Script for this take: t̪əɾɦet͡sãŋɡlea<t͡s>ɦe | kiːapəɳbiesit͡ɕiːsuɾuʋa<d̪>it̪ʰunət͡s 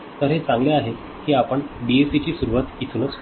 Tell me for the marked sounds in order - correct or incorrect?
incorrect, incorrect

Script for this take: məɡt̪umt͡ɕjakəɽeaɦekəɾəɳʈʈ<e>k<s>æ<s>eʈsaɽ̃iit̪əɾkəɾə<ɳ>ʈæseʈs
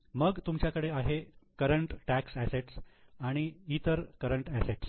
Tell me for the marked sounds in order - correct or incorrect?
incorrect, correct, correct, correct

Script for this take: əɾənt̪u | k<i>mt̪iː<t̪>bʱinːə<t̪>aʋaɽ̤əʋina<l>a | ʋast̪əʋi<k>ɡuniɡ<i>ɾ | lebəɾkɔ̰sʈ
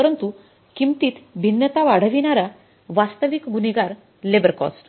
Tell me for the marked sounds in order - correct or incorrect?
correct, correct, correct, incorrect, correct, incorrect

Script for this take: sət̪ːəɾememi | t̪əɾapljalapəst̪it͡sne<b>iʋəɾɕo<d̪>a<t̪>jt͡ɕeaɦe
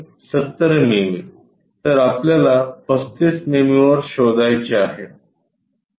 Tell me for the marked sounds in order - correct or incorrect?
incorrect, correct, incorrect

